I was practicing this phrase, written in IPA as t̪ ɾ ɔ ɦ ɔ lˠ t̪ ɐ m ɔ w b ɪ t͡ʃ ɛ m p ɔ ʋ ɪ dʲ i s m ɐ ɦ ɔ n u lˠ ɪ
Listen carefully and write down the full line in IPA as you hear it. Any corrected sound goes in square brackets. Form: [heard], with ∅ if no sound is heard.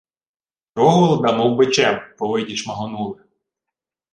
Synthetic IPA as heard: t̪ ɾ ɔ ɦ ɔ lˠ [d̪] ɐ m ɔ w b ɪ t͡ʃ ɛ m p ɔ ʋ ɪ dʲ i [ʃ] m ɐ ɦ ɔ n u lˠ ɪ